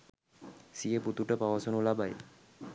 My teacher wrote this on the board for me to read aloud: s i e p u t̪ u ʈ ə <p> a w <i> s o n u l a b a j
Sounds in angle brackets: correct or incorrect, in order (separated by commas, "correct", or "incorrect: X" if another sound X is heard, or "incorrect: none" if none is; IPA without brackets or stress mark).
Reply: correct, incorrect: a